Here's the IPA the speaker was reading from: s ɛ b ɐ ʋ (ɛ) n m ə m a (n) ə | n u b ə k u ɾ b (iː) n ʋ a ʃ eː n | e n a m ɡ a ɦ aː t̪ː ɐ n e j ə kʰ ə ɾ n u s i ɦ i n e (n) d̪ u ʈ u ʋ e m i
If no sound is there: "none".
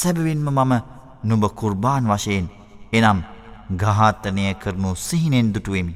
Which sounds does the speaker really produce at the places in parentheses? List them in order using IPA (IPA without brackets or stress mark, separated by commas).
i, m, aː, n